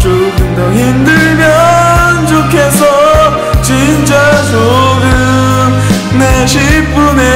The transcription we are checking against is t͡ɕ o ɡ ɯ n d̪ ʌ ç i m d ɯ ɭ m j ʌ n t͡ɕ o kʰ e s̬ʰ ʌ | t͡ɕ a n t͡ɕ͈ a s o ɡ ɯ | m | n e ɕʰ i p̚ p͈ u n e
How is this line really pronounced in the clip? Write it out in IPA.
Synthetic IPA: t͡ɕ o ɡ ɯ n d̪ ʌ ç i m d ɯ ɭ m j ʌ n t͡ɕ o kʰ e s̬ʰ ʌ | t͡ɕ i n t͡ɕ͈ a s o ɡ ɯ | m | n e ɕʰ i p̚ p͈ u n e

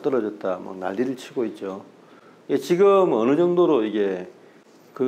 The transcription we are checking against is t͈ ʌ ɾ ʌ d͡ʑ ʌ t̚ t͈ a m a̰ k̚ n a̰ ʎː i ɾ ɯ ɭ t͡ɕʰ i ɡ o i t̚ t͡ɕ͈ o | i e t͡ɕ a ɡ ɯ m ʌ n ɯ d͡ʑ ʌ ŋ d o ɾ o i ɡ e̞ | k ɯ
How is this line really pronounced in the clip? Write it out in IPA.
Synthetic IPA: t͈ ʌ ɾ ʌ d͡ʑ ʌ t̚ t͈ a m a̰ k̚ n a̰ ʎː i ɾ ɯ ɭ t͡ɕʰ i ɡ o i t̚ t͡ɕ͈ o | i e t͡ɕ i ɡ ɯ m ʌ n ɯ d͡ʑ ʌ ŋ d o ɾ o i ɡ e̞ | k ɯ

